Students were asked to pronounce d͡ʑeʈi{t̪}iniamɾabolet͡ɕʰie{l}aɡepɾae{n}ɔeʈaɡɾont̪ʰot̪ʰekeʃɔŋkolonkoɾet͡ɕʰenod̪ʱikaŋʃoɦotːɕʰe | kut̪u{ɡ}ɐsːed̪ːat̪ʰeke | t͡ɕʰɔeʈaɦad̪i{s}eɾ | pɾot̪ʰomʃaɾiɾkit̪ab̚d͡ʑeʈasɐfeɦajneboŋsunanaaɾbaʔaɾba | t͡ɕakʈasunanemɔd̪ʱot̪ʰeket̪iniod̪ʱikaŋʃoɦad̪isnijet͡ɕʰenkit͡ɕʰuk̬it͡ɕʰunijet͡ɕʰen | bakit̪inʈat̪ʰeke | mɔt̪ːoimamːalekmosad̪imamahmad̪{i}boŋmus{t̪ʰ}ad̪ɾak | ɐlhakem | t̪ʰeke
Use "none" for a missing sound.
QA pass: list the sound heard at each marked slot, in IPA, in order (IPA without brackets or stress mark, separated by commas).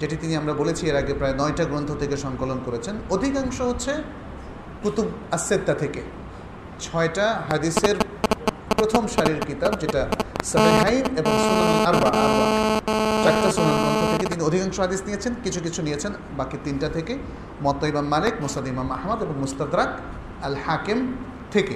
t̪, ɾ, n, b, s, e, t̪